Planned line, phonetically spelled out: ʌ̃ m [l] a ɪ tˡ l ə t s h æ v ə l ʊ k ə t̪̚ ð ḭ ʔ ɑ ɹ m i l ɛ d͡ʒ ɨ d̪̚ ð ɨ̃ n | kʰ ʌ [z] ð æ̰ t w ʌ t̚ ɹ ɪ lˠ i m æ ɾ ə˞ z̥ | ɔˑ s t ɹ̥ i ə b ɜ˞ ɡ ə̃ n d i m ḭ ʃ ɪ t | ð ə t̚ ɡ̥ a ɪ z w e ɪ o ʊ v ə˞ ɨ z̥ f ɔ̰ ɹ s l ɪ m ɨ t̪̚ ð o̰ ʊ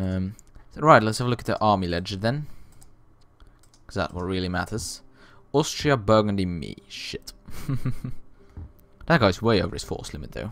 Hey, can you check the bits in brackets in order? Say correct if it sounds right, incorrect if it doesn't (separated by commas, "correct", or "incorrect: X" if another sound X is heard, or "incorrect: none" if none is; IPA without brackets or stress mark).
incorrect: ɹ, correct